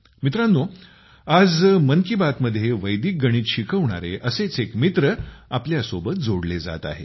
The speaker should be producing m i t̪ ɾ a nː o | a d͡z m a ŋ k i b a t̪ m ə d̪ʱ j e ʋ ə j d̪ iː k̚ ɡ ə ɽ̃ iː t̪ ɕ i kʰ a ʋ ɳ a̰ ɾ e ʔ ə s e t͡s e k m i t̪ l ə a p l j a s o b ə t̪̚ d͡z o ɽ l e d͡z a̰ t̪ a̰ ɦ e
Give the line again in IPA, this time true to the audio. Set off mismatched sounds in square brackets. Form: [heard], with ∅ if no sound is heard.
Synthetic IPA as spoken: m i t̪ ɾ a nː o | a d͡z m [ə] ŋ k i b a t̪ m ə d̪ʱ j e ʋ ə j d̪ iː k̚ ɡ ə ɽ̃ iː t̪ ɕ i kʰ [ə] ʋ ɳ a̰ ɾ e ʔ ə s e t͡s e k m i t̪ [ɾ] ə a p l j a s o b ə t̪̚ d͡z o ɽ l e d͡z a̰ t̪ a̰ ɦ e

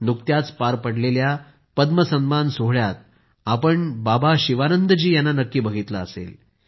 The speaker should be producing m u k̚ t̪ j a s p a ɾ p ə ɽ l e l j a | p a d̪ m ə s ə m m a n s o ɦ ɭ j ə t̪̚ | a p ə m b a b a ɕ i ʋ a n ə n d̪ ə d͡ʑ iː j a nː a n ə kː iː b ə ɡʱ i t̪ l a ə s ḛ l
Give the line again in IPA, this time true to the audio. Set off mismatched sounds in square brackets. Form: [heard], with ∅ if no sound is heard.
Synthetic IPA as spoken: [n] u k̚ t̪ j a [t͡s] p a ɾ p ə ɽ l e l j a | p [ə] d̪ m ə s ə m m a n s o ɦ ɭ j [a] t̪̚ | a p ə [ɳ] b a b a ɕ i ʋ a n ə n d̪ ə d͡ʑ iː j a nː a n ə kː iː b ə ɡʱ i t̪ l a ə s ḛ l

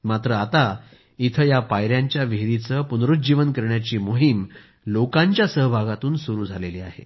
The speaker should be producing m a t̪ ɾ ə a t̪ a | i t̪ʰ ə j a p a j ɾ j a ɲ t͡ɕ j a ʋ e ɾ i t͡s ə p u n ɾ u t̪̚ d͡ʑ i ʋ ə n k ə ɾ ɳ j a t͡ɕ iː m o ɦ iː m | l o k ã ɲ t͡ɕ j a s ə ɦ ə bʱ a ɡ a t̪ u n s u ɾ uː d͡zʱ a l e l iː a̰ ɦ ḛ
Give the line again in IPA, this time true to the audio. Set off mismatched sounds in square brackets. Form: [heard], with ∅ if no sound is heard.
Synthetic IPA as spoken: m a t̪ ɾ ə a t̪ a | i t̪ʰ ə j a p a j ɾ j a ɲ t͡ɕ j a ʋ e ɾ i t͡s ə p u n ɾ u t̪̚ d͡ʑ i ʋ ə n k ə ɾ ɳ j a t͡ɕ iː m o ɦ [i] m | l o k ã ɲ t͡ɕ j a s ə ɦ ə bʱ a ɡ a t̪ [uː] n s u ɾ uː d͡zʱ a l e l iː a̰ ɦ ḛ

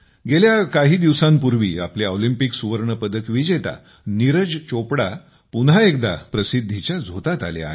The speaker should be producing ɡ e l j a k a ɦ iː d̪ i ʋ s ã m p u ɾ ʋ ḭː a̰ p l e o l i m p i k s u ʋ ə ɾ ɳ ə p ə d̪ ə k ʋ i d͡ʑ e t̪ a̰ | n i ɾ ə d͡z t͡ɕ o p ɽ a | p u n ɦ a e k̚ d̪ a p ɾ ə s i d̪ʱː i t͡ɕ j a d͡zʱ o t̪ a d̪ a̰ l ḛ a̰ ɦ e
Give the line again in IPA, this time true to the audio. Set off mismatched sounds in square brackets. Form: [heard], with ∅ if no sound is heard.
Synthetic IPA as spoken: ɡ e l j a k a ɦ iː d̪ i ʋ s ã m p u ɾ ʋ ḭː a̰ p l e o l i m p i k s u ʋ ə ɾ ɳ ə p ə d̪ ə k ʋ i d͡ʑ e t̪ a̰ | n i ɾ ə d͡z t͡ɕ o p ɽ a | p u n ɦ a e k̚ d̪ a p ɾ ə s i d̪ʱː i t͡ɕ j a d͡zʱ o t̪ a [t̪] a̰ l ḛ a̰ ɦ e

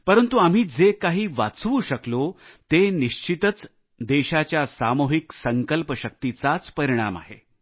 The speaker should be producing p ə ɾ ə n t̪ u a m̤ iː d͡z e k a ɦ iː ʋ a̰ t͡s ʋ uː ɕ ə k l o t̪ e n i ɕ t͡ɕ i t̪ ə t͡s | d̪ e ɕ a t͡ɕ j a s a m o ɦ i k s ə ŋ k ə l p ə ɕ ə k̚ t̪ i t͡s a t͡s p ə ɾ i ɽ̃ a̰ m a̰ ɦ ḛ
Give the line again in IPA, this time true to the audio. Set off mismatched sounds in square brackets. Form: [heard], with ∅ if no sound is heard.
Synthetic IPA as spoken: p ə ɾ ə n t̪ u a m̤ iː d͡z e k a ɦ iː ʋ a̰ t͡s ʋ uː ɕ ə k l o t̪ e n i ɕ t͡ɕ i t̪ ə t͡s | d̪ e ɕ a t͡ɕ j a s a m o ɦ i k s ə ŋ k ə l p ə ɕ ə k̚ t̪ i t͡s a t͡s p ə ɾ i ɽ̃ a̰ m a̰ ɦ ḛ

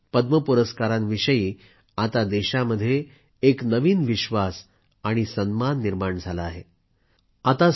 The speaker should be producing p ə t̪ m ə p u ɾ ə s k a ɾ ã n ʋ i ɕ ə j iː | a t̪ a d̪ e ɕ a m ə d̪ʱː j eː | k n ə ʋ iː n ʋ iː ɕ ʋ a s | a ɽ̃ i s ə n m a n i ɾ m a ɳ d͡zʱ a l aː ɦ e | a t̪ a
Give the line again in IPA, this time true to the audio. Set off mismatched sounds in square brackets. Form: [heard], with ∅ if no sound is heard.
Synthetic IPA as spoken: p ə [d̪] m ə p u ɾ ə s k a ɾ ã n ʋ i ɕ ə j iː | a t̪ a d̪ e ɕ a m ə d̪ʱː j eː | k n ə ʋ iː n ʋ [i] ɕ ʋ a s | a ɽ̃ i s ə n m a [nː] i ɾ m a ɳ d͡zʱ a l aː ɦ e | a t̪ a

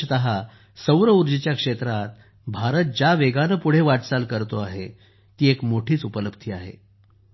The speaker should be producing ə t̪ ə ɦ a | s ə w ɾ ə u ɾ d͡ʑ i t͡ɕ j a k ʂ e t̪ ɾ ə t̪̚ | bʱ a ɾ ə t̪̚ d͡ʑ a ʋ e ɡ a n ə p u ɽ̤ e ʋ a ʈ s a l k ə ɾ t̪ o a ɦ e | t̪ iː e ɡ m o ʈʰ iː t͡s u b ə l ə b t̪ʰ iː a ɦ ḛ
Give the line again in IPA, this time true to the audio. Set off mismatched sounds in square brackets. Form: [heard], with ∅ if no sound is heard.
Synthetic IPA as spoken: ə t̪ ə ɦ a | s ə w ɾ ə u ɾ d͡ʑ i t͡ɕ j a k ʂ e t̪ ɾ [a] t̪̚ | bʱ a ɾ ə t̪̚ d͡ʑ a ʋ e ɡ a n ə p u ɽ̤ e ʋ a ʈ s a l k ə ɾ t̪ o a ɦ e | t̪ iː e [k] m o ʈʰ iː t͡s u [p] ə l ə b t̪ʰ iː a ɦ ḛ

